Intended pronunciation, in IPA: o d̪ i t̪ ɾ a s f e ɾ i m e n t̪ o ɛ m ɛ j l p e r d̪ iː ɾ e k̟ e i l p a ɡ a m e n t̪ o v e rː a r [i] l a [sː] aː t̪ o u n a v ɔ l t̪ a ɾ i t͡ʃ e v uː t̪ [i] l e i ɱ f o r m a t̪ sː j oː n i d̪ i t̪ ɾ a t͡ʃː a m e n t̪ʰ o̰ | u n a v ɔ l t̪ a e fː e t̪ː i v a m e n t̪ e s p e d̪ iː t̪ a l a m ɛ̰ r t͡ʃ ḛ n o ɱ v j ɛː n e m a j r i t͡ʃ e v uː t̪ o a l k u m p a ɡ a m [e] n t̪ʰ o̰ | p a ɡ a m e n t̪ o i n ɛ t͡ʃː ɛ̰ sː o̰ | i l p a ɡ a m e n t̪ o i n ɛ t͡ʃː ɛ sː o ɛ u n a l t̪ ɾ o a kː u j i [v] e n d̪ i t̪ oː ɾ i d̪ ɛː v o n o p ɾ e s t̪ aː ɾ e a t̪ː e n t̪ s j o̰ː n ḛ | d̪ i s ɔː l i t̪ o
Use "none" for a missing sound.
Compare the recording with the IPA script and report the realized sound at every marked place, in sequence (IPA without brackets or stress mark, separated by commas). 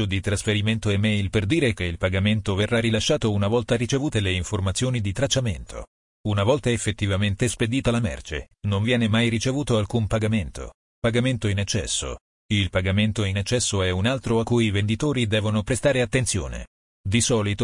i, ʃː, e, e, v